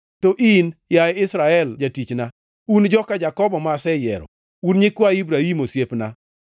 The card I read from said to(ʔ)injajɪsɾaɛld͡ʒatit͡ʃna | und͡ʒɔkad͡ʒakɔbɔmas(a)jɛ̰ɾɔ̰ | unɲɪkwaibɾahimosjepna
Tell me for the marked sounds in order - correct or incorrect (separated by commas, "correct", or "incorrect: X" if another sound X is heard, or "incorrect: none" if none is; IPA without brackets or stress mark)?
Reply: correct, incorrect: ɛ